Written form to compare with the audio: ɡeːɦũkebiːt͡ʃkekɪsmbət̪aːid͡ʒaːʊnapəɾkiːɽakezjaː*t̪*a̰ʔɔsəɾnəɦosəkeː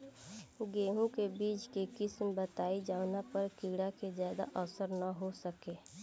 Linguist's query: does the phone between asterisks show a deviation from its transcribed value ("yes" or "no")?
yes